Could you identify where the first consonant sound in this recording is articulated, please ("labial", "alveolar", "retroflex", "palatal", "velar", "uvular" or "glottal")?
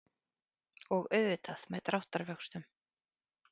velar